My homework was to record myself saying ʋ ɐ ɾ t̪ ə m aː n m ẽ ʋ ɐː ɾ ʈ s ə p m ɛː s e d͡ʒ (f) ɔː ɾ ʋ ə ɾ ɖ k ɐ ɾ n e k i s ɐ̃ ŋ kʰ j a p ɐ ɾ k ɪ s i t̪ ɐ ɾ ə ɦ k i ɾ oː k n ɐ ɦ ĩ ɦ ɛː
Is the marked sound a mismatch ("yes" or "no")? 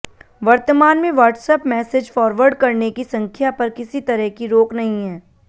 no